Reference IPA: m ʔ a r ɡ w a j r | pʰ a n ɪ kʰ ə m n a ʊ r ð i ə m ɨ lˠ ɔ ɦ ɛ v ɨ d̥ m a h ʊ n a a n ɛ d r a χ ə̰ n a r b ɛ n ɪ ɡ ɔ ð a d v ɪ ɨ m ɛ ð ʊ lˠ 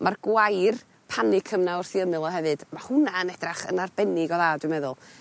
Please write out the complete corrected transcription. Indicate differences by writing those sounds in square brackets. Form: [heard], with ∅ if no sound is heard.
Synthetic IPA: m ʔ a r ɡ w a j r | pʰ a n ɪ kʰ ə m n a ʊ r [θ] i ə m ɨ lˠ ɔ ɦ ɛ v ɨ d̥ m a h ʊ n a [ə] n ɛ d r a χ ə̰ n a r b ɛ n ɪ ɡ ɔ ð a d [w] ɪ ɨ m ɛ ð ʊ lˠ